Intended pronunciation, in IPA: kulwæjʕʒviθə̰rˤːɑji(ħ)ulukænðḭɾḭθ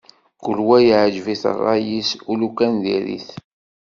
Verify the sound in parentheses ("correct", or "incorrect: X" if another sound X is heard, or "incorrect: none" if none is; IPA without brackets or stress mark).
incorrect: s